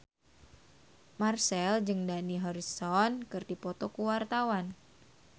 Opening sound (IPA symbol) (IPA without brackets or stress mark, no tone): m